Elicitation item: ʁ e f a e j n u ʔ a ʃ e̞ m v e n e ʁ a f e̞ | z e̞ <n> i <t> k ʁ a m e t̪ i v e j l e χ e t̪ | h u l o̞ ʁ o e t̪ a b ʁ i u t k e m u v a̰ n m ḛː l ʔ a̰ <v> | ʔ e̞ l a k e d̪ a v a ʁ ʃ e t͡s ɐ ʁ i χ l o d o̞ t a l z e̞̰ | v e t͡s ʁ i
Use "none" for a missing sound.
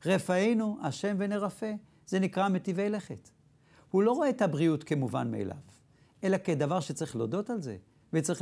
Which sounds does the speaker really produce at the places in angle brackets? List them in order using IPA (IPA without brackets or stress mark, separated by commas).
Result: n, none, v